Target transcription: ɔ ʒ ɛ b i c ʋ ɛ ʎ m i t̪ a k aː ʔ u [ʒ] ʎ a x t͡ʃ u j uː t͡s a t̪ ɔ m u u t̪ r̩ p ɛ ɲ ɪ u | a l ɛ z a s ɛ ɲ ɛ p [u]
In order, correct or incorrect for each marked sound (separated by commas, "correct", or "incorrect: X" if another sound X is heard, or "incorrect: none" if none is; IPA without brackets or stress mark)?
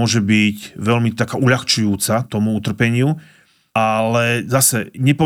incorrect: none, incorrect: ɔ